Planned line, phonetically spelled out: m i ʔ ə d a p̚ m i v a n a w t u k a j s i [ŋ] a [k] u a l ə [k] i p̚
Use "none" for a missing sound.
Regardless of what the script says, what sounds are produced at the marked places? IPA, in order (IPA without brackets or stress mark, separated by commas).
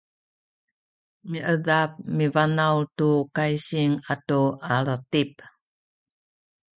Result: ŋ, t, t